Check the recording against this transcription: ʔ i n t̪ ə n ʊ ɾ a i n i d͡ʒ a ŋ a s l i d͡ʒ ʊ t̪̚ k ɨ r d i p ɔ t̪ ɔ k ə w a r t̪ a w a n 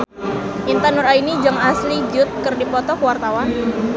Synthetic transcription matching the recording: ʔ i n t̪ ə n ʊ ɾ a i n i d͡ʒ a ŋ a s l i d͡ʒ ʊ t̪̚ k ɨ r d i p ɔ t̪ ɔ k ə w a r t̪ a w a n

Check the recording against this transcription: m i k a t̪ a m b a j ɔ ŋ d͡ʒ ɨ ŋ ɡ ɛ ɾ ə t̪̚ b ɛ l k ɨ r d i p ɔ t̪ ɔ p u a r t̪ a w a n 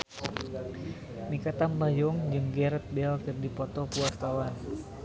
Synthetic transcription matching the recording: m i k a t̪ a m b a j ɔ ŋ d͡ʒ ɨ ŋ ɡ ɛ ɾ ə t̪̚ b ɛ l k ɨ r d i p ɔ t̪ ɔ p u a r t̪ a w a n

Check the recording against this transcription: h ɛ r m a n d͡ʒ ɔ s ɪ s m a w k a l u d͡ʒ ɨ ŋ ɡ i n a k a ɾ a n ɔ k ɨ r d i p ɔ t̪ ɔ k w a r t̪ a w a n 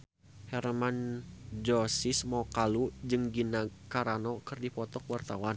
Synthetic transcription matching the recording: h ɛ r m a n d͡ʒ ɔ s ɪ s m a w k a l u d͡ʒ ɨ ŋ ɡ i n a k a ɾ a n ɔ k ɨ r d i p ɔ t̪ ɔ k w a r t̪ a w a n

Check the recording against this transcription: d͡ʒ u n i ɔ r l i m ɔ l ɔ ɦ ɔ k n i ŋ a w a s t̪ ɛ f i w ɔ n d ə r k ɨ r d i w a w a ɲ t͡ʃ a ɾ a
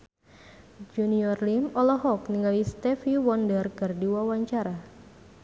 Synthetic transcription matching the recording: d͡ʒ u n i ɔ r l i m ɔ l ɔ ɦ ɔ k n i ŋ a w i s t̪ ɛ f i w ɔ n d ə r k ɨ r d i w a w a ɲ t͡ʃ a ɾ a

